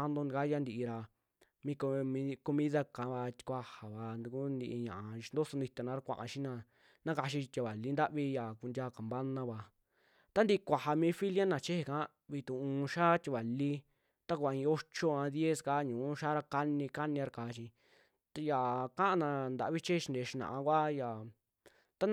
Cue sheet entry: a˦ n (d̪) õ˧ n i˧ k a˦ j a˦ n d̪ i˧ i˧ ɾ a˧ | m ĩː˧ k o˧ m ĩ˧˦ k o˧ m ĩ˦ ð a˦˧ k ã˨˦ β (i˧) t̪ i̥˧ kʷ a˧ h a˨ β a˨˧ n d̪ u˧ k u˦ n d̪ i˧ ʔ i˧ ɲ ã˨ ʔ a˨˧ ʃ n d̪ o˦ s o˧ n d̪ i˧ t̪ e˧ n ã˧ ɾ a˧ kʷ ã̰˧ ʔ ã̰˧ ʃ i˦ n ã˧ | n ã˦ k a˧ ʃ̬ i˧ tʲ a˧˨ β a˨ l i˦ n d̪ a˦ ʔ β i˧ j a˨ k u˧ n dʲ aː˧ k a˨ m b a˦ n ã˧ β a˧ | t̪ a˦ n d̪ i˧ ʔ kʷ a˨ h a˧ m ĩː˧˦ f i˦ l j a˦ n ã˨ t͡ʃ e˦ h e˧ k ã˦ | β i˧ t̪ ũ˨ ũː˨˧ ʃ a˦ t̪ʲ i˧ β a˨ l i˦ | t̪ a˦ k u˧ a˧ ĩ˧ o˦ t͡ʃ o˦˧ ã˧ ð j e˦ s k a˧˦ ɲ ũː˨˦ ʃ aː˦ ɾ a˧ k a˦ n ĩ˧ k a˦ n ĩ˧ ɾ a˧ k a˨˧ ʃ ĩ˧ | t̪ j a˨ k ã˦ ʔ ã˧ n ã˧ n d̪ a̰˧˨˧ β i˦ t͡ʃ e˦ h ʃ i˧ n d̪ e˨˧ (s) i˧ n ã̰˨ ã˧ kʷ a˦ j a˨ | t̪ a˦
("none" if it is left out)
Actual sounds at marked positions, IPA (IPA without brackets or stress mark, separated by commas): d̪, a˧, ʃ